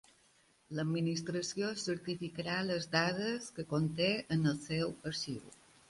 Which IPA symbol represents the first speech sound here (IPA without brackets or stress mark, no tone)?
l